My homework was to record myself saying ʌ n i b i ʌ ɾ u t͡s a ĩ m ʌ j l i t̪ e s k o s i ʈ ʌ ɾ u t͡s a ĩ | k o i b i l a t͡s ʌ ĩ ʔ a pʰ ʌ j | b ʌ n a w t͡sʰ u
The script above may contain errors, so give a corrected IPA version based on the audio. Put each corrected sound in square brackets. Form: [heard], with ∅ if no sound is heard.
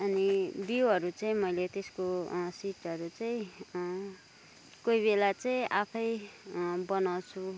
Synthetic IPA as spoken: ʌ n i b i ʌ ɾ u t͡s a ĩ m ʌ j l [e] t̪ e s k o s i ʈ ʌ ɾ u t͡s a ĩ | k o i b [e] l a t͡s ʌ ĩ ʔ a pʰ ʌ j | b ʌ n a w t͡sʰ u